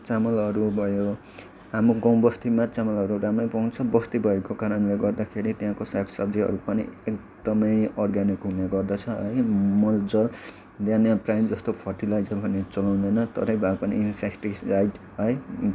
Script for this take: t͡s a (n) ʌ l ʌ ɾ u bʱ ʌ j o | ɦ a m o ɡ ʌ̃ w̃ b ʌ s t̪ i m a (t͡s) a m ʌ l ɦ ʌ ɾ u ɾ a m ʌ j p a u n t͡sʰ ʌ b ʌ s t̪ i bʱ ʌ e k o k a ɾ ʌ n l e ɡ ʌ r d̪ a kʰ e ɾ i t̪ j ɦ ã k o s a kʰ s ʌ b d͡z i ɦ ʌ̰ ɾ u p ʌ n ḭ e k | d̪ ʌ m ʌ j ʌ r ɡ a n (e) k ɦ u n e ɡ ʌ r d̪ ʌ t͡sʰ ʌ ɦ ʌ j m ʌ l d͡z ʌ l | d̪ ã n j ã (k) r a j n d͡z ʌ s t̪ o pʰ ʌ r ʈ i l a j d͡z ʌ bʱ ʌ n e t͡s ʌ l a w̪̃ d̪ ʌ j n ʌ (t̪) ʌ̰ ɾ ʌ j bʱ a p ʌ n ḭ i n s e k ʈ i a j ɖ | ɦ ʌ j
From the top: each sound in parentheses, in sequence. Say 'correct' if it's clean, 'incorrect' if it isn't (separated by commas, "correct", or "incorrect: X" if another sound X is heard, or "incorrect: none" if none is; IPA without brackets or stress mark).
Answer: incorrect: m, correct, incorrect: i, incorrect: p, correct